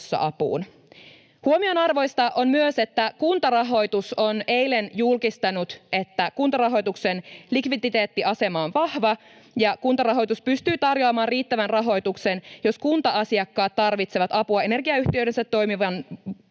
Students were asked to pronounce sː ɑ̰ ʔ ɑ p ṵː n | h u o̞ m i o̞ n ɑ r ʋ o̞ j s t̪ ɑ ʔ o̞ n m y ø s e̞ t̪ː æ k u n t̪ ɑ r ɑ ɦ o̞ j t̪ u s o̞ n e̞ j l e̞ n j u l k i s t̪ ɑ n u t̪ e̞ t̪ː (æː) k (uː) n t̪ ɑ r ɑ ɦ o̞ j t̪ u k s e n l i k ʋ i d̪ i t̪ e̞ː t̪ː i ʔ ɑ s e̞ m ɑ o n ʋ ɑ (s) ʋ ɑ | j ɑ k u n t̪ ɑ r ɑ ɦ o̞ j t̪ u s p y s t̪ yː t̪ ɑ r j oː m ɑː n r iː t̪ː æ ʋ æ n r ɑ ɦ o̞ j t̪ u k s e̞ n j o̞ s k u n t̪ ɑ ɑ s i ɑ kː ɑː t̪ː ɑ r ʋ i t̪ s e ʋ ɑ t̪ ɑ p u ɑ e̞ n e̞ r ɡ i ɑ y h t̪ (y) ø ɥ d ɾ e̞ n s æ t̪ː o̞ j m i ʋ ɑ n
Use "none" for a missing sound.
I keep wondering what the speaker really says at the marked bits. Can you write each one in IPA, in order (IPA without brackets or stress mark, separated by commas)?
æ, u, h, i